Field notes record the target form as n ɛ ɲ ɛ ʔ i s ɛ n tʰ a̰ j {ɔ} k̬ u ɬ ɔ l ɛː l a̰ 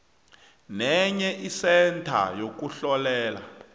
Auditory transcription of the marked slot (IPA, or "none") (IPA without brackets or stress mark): o